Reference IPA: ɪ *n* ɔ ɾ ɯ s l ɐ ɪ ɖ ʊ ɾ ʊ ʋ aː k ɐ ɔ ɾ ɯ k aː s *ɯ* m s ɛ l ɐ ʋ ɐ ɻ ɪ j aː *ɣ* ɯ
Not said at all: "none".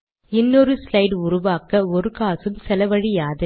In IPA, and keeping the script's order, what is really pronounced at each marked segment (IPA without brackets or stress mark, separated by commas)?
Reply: nː, ɯ, ð